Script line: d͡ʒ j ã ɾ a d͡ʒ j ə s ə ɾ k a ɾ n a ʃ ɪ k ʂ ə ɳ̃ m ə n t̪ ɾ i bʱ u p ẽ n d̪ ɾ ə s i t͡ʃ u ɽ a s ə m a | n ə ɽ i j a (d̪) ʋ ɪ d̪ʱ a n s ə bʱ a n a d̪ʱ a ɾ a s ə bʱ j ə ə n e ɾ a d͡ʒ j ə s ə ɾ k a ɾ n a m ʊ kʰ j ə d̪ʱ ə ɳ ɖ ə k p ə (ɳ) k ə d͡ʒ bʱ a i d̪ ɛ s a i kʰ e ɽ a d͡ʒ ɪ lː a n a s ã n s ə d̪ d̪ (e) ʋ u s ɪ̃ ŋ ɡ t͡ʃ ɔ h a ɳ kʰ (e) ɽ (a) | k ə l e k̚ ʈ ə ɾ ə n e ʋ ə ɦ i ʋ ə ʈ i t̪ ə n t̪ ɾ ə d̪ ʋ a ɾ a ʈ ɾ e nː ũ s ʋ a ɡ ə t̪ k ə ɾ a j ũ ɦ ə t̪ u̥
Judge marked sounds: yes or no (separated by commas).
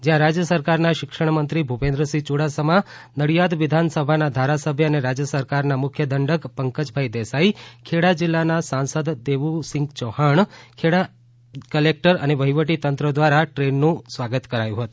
yes, no, yes, yes, yes